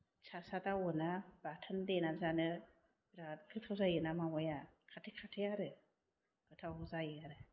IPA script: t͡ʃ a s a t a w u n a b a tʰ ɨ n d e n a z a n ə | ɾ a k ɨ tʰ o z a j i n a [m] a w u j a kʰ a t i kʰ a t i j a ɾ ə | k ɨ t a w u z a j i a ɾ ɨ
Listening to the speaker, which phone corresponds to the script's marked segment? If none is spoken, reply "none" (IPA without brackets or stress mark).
m